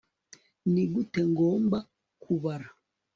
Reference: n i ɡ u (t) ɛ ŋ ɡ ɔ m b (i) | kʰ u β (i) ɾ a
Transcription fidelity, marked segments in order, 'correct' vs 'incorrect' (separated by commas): correct, incorrect, incorrect